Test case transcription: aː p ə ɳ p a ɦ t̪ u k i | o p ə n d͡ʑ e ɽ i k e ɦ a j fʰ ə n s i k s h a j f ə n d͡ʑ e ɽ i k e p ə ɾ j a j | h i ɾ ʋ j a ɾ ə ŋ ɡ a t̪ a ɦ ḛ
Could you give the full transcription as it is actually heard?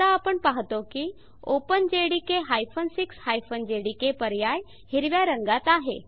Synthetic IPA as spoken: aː p ə ɳ p a ɦ t̪ o k i | o p ə n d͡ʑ e ɽ i k e ɦ a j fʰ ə n s i k s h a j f ə n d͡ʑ e ɽ i k e p ə ɾ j a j | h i ɾ ʋ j a ɾ ə ŋ ɡ a t̪ a ɦ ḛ

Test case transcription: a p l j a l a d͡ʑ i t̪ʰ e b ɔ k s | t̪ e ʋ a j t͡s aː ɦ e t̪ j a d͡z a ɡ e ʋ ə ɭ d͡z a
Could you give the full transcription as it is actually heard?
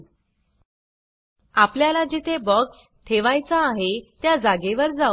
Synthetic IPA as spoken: a p l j a l a d͡ʑ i t̪ʰ e b ɔ k s | t̪ʰ e ʋ a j t͡s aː ɦ e t̪ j a d͡z a ɡ e ʋ ə ɾ d͡z a

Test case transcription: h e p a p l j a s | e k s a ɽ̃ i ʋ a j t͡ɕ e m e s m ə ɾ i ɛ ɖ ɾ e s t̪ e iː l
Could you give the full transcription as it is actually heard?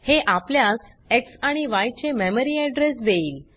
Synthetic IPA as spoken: h e ʔ a p l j a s | e k s a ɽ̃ i ʋ a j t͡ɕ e m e m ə ɾ i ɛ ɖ ɾ e s d̪ e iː l

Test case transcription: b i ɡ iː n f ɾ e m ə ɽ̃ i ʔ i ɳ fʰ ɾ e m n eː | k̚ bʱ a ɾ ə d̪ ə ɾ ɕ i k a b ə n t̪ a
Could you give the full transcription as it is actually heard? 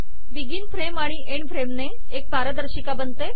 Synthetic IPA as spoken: b i ɡ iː n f ɾ e m a ɽ̃ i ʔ e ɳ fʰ ɾ e m n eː | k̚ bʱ a ɾ ə d̪ ə ɾ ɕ i k a b ə n t̪ e

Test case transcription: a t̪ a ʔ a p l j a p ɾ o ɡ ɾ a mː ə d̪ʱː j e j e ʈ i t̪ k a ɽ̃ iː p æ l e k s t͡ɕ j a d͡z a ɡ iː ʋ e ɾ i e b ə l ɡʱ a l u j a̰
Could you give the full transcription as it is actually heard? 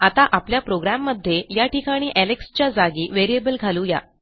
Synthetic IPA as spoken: a t̪ a ʔ a p l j a p ɾ o ɡ ɾ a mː ə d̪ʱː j e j a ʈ i k a ɽ̃ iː ʔ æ l e k s t͡ɕ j a d͡z a ɡ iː ʋ e ɾ i e b ə l ɡʱ a l u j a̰

